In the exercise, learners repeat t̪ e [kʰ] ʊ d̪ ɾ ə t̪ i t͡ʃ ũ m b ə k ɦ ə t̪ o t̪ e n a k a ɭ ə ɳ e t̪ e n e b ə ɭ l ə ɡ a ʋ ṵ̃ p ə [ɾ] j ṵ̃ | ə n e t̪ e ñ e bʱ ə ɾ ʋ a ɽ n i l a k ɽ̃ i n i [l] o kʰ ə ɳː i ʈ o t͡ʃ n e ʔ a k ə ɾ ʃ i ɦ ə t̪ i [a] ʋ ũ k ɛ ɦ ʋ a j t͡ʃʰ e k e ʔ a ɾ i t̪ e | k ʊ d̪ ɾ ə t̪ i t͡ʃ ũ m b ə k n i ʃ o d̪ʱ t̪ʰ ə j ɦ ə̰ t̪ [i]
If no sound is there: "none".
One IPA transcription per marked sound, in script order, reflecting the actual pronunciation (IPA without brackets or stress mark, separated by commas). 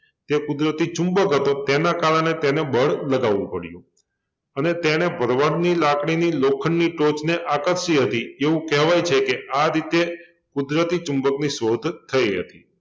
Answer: k, ɽ, l, e, i